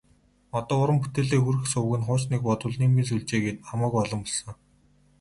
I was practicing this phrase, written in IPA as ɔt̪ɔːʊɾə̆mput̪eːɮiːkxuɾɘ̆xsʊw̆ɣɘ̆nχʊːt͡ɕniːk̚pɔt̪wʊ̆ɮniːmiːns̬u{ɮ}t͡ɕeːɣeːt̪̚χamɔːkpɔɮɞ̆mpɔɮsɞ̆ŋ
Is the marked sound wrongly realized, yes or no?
no